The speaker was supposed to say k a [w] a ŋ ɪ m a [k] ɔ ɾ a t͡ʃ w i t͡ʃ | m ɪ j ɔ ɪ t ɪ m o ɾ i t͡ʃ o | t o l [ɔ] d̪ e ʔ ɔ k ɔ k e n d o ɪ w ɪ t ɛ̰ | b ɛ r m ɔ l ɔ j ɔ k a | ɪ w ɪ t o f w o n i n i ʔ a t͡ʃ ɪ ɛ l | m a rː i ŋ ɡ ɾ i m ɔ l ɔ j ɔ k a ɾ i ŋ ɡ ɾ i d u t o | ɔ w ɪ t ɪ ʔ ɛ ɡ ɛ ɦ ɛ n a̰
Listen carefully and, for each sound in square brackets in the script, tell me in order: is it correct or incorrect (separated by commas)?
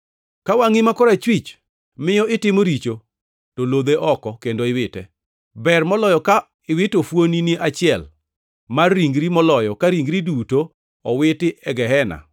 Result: correct, correct, incorrect